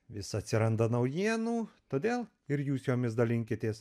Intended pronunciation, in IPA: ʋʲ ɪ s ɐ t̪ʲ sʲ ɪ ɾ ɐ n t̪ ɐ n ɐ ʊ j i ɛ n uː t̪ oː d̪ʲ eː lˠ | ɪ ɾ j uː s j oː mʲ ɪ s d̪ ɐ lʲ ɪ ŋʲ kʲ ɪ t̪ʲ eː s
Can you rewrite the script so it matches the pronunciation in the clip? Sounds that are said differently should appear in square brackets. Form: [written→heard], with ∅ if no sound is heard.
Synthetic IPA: ʋʲ ɪ s ɐ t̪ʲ sʲ ɪ ɾ ɐ n [t̪→d̪] ɐ n ɐ ʊ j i ɛ n uː t̪ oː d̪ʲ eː lˠ | ɪ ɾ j uː s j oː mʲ ɪ s d̪ ɐ lʲ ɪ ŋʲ kʲ ɪ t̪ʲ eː s